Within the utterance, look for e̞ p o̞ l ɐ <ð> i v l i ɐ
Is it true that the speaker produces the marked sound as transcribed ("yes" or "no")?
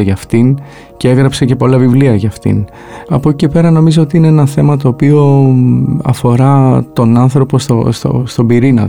no